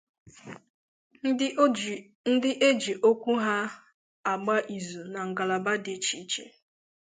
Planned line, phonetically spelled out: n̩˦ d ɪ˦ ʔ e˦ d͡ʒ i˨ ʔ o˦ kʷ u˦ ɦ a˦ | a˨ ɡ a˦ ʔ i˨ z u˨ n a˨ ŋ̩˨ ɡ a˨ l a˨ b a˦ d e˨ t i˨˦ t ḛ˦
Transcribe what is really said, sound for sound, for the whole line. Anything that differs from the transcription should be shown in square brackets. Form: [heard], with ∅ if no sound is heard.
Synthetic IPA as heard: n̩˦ d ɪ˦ ʔ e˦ d͡ʒ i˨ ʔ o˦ kʷ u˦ ɦ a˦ | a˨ [ɡ͡b] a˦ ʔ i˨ z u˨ n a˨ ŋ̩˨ ɡ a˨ l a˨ b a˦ d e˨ [t͡ʃ] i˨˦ [t͡ʃ] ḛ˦